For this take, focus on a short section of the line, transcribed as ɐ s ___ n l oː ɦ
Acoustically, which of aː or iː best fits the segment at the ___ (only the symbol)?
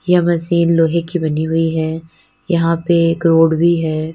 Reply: iː